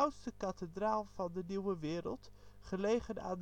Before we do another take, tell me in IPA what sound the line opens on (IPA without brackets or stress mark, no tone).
w